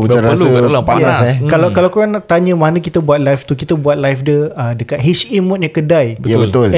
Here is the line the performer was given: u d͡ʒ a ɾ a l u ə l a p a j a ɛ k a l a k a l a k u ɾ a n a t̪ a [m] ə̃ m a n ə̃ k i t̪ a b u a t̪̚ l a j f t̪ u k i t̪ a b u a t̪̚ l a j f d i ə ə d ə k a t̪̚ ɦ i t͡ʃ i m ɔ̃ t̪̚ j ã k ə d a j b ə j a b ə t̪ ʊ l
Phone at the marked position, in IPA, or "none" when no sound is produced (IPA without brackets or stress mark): ɲ